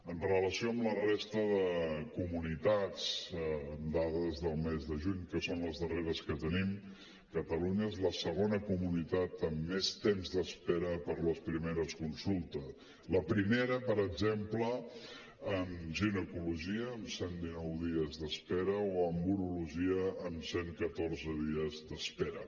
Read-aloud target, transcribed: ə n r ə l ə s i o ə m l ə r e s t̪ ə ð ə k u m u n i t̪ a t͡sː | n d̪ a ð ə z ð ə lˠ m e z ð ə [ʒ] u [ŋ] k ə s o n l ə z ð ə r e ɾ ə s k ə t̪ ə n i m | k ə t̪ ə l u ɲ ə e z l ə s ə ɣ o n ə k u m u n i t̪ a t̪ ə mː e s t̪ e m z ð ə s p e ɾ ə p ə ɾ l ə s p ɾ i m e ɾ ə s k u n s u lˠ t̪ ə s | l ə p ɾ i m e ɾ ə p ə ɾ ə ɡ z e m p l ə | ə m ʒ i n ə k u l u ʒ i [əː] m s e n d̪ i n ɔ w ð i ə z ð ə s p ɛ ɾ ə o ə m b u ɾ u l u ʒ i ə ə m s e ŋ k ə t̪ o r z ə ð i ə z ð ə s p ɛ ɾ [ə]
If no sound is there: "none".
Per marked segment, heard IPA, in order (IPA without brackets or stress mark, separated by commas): ʒ, ɲ, əː, ə